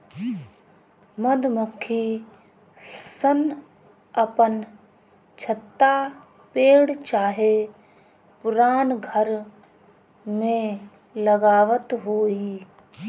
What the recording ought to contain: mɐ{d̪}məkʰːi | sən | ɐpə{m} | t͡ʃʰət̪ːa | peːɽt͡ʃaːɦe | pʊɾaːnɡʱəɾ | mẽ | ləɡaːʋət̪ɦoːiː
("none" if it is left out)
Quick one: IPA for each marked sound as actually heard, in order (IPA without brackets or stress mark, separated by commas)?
d̪, n